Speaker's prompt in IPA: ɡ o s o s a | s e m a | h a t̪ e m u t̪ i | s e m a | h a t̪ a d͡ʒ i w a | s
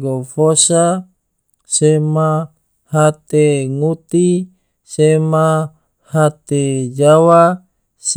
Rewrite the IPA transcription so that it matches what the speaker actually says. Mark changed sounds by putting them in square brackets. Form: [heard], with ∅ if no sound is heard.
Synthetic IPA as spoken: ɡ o [f] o s a | s e m a | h a t̪ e [ŋ] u t̪ i | s e m a | h a t̪ [e] d͡ʒ [a] w a | s